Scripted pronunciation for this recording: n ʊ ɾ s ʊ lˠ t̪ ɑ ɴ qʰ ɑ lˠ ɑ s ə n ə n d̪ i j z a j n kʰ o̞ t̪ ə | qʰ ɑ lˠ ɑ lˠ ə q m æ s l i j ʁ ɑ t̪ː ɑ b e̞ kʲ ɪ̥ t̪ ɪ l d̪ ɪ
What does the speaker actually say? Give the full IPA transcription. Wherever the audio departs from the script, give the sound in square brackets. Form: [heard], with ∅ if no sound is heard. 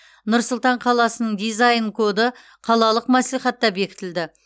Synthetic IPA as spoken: n ʊ ɾ s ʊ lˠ t̪ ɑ ɴ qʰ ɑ lˠ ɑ s ə n ə [ɴ] d̪ i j z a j n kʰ o̞ [d̪] ə | qʰ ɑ lˠ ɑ lˠ ə q m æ s l i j [χ] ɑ t̪ː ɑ b e̞ kʲ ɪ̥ t̪ ɪ l d̪ ɪ

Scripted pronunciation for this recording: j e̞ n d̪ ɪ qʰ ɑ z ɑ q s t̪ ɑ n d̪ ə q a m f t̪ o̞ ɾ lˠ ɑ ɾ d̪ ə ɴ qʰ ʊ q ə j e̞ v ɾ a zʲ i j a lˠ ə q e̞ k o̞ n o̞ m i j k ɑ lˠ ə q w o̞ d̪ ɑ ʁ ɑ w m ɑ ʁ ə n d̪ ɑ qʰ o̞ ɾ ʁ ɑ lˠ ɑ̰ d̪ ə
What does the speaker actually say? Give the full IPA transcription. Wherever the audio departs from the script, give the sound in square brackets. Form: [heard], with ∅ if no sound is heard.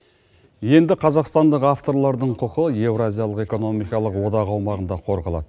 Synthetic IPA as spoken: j e̞ n d̪ ɪ qʰ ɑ z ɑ q s t̪ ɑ n d̪ ə q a [∅] f t̪ o̞ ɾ lˠ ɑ ɾ d̪ ə ɴ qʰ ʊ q ə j e̞ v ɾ a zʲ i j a lˠ ə q e̞ k o̞ n o̞ m i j k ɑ lˠ ə q w o̞ d̪ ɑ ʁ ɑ w m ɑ ʁ ə n d̪ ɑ qʰ o̞ ɾ ʁ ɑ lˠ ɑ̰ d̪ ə

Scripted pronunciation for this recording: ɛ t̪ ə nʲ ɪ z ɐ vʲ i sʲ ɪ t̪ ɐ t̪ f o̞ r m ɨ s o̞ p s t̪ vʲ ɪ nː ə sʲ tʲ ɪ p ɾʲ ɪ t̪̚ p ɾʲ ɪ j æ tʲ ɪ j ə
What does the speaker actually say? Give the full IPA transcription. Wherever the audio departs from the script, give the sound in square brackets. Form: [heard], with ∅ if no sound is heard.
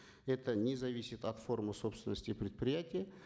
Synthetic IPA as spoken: ɛ t̪ ə nʲ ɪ z ɐ vʲ i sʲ ɪ t̪ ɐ t̪ f o̞ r m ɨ s o̞ p s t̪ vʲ ɪ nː ə sʲ tʲ ɪ p ɾʲ ɪ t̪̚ p ɾʲ ɪ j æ tʲ ɪ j ə

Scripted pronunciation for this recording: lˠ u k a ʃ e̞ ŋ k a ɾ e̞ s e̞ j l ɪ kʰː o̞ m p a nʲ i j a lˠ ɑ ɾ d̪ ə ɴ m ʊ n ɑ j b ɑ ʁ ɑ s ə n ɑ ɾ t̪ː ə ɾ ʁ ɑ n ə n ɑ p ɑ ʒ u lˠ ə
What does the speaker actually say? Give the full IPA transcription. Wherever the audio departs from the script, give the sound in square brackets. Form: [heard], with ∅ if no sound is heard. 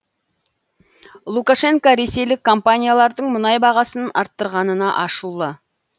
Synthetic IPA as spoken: lˠ u k a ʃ e̞ ŋ k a ɾ e̞ s e̞ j l ɪ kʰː o̞ m p a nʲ i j a lˠ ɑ ɾ d̪ ə ɴ m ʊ n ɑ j b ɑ ʁ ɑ s ə n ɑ ɾ t̪ː ə ɾ ʁ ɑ n ə n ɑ [ʔ] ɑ [ʃ] u lˠ ə

